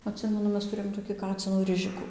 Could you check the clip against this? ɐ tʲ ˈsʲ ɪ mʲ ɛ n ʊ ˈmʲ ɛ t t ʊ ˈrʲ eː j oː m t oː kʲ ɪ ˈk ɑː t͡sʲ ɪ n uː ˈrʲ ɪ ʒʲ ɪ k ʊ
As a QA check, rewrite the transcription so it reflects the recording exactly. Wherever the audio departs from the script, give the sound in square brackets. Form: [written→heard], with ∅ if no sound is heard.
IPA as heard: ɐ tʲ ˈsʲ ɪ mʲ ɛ n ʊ ˈmʲ ɛ [t→s] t ʊ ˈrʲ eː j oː m t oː kʲ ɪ ˈk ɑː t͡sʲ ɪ n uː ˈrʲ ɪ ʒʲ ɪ k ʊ